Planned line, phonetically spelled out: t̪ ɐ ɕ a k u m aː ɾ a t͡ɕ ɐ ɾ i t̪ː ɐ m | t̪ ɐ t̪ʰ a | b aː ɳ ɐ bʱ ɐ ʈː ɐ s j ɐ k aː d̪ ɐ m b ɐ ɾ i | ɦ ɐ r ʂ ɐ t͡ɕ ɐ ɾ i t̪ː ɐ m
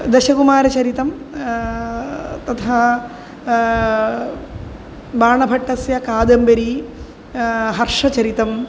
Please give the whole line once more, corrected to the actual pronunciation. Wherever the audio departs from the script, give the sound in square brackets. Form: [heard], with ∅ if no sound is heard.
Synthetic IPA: [d̪] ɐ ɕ [ɐ] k u m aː ɾ [ɐ] t͡ɕ ɐ ɾ i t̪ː ɐ m | t̪ ɐ t̪ʰ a | b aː ɳ ɐ bʱ ɐ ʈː ɐ s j ɐ k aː d̪ ɐ m b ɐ ɾ i | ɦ ɐ r ʂ ɐ t͡ɕ ɐ ɾ i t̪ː ɐ m